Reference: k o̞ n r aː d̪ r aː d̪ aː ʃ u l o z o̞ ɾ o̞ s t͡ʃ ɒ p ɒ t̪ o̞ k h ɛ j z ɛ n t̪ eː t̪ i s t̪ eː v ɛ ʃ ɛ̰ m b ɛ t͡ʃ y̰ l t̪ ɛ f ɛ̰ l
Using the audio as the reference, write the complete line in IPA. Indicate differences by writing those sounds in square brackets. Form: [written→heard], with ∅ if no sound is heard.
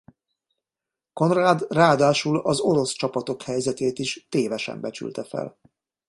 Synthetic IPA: k o̞ n r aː d̪ r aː d̪ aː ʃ u l [o→ɒ] z o̞ ɾ o̞ s t͡ʃ ɒ p ɒ t̪ o̞ k h ɛ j z ɛ [n→∅] t̪ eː t̪ i [s→ʃ] t̪ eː v ɛ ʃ ɛ̰ m b ɛ t͡ʃ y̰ l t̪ ɛ f ɛ̰ l